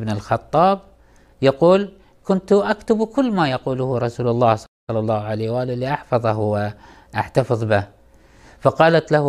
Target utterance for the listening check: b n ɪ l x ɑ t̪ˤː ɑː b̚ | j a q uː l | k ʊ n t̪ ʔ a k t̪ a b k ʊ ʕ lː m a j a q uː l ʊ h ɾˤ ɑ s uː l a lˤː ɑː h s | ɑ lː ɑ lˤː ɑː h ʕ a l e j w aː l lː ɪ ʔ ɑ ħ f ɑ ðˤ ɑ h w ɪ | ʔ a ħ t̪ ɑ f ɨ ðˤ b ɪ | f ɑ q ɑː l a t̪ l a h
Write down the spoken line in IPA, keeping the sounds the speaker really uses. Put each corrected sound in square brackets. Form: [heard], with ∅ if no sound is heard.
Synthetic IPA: b n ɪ l x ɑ t̪ˤː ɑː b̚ | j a q uː l | k ʊ n t̪ ʔ a k t̪ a b k ʊ [∅] lː m a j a q uː l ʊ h ɾˤ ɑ s uː l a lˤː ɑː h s | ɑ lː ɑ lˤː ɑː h ʕ a l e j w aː l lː [i] ʔ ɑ ħ f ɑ ðˤ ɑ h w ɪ | ʔ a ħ t̪ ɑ f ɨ ðˤ b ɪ | f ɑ q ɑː l a t̪ l a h